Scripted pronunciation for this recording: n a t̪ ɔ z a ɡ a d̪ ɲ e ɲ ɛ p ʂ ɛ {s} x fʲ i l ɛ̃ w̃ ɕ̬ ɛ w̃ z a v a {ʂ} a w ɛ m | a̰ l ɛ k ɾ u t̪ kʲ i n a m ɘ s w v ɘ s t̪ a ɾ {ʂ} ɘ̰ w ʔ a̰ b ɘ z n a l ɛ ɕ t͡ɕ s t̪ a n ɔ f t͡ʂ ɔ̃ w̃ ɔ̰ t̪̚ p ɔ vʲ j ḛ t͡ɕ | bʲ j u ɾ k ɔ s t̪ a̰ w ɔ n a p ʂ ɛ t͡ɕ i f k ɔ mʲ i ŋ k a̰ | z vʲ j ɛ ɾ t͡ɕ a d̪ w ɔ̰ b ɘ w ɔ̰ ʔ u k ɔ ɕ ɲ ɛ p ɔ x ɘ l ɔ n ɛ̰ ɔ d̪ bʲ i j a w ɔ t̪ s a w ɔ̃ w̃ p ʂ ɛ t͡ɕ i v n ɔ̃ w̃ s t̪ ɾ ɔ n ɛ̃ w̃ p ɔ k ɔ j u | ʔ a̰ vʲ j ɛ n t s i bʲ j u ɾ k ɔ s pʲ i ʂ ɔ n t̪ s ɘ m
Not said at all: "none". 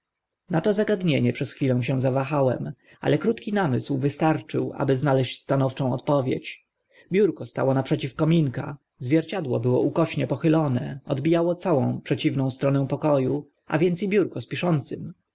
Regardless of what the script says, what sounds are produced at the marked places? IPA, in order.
s, x, t͡ʂ

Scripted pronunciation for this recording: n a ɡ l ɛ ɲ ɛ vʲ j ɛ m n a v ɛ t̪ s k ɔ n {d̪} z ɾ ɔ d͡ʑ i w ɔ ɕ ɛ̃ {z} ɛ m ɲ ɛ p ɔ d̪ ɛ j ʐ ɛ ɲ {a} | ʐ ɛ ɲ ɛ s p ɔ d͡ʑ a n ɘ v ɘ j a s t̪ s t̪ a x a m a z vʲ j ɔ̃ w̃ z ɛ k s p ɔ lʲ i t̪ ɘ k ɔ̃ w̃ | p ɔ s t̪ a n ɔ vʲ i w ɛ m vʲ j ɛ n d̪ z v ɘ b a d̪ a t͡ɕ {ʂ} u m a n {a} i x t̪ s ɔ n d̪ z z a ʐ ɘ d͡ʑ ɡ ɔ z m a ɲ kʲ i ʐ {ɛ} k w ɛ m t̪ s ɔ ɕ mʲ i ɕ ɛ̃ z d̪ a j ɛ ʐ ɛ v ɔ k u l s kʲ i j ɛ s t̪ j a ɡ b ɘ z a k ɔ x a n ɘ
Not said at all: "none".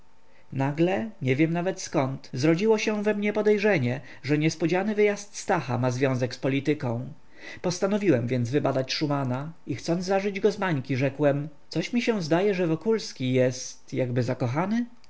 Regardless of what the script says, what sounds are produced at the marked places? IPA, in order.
t̪, v, ɛ, ʂ, a, ɛ

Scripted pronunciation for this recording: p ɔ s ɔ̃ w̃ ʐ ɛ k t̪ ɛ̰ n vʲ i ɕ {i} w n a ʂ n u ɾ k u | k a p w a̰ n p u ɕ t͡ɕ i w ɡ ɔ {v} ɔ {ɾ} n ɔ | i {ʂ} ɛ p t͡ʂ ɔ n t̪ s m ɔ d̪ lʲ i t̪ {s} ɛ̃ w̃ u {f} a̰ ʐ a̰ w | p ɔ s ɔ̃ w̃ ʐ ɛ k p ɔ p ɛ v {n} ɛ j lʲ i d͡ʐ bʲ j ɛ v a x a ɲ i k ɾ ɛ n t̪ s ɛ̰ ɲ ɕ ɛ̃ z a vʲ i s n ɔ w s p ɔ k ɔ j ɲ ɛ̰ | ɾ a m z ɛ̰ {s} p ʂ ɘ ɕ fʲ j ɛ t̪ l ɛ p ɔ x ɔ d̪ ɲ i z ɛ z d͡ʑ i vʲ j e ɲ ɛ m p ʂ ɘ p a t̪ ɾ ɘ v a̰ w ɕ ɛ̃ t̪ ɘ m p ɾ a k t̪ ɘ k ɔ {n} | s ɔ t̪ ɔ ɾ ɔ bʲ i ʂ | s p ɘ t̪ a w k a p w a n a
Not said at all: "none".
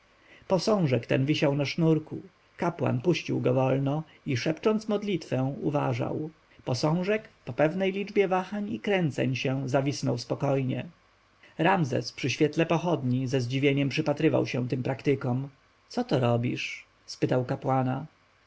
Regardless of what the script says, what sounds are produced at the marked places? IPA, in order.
a, v, l, ʂ, f, v, n, s, m

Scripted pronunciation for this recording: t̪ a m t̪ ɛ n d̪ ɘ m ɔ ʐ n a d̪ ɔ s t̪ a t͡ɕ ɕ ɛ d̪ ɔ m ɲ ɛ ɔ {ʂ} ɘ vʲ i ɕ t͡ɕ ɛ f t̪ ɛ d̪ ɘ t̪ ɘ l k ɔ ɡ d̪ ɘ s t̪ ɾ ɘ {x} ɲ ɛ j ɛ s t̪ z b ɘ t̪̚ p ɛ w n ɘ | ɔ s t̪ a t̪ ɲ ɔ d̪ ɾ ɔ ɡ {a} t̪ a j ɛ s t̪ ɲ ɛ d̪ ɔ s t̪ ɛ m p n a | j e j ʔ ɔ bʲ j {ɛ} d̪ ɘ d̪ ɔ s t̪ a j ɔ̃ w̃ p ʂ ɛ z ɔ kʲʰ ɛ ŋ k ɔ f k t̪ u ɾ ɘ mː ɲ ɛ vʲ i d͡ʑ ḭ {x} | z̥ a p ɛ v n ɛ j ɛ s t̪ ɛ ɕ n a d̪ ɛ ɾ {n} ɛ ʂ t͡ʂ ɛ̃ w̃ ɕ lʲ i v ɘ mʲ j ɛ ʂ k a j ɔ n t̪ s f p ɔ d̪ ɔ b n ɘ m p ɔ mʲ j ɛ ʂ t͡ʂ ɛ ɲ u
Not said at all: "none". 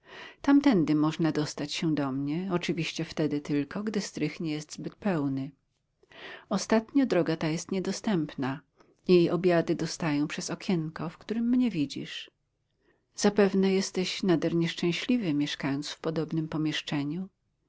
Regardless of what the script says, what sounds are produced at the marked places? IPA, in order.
t͡ʂ, x, a, a, ʂ, ɲ

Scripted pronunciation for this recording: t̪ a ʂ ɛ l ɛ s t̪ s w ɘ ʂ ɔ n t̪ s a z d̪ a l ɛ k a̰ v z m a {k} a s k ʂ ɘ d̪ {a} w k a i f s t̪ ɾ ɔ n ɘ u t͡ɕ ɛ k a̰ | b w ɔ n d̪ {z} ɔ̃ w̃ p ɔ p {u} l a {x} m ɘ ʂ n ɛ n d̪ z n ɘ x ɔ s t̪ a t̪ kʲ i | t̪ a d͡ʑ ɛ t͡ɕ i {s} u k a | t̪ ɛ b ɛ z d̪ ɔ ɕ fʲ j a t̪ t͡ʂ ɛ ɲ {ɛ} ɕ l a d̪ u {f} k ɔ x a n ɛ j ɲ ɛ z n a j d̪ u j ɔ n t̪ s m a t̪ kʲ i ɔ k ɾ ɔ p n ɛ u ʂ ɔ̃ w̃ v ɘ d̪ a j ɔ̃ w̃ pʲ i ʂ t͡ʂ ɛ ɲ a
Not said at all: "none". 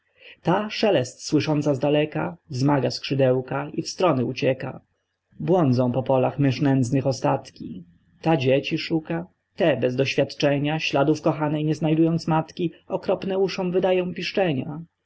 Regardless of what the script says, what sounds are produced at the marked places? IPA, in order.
ɡ, ɛ, z, ɔ, x, ʂ, a, f

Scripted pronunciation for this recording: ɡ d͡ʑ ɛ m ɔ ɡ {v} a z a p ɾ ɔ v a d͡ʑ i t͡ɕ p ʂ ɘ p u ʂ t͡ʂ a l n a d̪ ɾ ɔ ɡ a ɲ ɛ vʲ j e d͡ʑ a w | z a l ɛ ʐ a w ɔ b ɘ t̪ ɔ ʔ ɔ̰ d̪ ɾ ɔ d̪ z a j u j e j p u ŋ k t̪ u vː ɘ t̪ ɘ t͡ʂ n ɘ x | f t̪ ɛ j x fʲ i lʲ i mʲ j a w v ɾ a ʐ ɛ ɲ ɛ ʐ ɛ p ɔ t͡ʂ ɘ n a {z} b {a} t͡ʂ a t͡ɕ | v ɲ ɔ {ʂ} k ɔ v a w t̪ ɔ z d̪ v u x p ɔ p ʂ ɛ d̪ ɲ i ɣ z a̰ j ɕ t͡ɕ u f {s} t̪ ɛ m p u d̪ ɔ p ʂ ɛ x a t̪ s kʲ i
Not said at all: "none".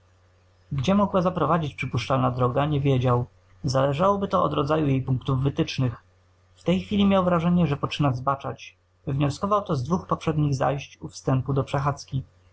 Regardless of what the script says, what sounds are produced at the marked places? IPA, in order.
w, z, a, s, s

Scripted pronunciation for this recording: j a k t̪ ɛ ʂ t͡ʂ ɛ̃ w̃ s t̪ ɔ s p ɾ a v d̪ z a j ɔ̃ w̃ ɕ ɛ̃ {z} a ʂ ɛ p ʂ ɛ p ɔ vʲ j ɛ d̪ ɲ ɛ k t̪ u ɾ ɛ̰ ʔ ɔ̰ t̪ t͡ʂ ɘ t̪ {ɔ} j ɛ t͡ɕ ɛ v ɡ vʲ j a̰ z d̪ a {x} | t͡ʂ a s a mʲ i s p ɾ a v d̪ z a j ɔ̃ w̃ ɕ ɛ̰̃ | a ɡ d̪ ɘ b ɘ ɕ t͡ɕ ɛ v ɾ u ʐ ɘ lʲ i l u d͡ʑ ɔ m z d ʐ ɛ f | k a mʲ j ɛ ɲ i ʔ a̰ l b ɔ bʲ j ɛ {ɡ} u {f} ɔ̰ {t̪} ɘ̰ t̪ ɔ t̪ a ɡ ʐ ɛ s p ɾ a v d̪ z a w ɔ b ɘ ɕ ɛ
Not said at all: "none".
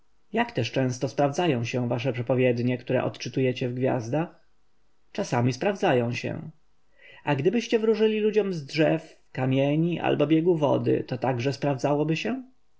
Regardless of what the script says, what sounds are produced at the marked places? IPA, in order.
v, u, x, ɡ, v, d̪

